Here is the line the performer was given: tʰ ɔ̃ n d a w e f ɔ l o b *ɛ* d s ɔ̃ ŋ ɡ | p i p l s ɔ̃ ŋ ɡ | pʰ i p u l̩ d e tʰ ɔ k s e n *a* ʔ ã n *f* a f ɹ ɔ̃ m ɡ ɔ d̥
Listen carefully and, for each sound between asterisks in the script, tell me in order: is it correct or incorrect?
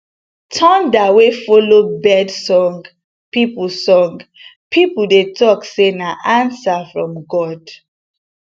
correct, correct, incorrect: s

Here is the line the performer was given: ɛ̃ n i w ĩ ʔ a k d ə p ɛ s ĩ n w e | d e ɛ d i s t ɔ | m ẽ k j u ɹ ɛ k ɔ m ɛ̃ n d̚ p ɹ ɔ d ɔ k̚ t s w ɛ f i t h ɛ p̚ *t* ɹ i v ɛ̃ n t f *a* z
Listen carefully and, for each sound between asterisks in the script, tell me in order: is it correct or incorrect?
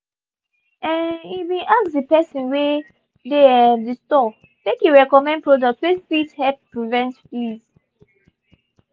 incorrect: p, incorrect: i

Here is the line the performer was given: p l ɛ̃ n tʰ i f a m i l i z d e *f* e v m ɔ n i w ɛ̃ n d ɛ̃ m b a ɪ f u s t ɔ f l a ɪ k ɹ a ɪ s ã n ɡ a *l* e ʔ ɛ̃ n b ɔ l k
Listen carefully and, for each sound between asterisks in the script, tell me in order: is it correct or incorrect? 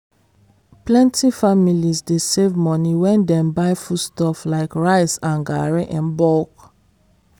incorrect: s, incorrect: ɹ

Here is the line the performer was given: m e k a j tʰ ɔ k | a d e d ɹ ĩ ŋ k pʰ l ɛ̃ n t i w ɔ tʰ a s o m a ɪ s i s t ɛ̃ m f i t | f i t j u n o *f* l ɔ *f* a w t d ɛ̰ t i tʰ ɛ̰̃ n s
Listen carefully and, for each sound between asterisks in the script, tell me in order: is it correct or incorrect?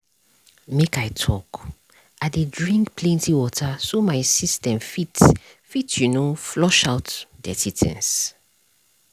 correct, incorrect: ʃ

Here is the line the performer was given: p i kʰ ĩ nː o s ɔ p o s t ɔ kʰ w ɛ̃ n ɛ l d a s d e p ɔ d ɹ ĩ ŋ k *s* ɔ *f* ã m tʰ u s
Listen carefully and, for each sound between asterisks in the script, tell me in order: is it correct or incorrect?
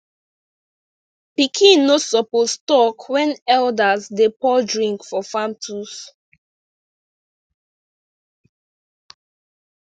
incorrect: f, correct

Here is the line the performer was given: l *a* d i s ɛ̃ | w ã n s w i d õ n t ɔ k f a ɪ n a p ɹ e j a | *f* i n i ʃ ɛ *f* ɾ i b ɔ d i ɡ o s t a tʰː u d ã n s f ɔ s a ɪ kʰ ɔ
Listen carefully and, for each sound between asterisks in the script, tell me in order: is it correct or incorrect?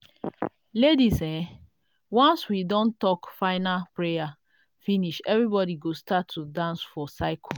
incorrect: e, correct, incorrect: v

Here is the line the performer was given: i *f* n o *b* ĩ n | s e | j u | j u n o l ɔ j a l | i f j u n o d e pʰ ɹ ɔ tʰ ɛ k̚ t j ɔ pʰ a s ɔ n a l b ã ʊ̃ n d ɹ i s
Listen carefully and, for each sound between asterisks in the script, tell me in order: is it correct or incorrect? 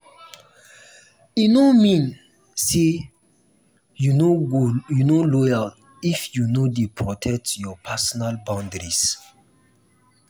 incorrect: none, incorrect: m

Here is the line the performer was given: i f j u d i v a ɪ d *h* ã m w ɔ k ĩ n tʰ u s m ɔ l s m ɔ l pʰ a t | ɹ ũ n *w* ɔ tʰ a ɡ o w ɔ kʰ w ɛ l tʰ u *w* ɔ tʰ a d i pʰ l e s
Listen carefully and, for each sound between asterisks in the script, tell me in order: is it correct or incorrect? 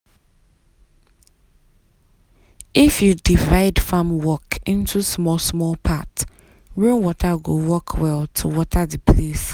incorrect: f, correct, correct

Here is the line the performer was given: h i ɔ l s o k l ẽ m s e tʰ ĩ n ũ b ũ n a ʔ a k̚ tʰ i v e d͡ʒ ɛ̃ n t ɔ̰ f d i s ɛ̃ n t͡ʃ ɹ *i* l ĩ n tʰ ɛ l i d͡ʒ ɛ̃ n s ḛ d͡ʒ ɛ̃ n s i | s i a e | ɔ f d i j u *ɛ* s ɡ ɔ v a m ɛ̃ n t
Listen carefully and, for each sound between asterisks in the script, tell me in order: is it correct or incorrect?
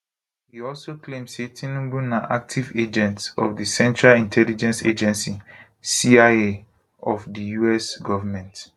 incorrect: a, correct

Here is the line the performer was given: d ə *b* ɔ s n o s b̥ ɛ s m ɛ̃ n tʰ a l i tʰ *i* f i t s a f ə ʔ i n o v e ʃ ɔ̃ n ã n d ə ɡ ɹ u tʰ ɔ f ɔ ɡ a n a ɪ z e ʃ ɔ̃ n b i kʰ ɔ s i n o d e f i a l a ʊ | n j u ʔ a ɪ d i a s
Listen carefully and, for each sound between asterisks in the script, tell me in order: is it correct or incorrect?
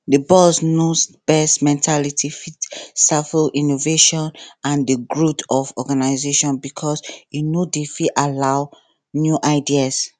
correct, correct

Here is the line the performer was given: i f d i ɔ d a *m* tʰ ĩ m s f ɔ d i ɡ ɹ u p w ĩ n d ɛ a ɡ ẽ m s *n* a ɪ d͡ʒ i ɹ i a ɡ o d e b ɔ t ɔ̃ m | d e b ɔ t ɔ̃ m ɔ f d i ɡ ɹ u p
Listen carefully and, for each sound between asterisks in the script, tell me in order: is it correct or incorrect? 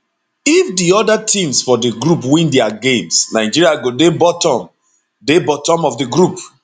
incorrect: none, correct

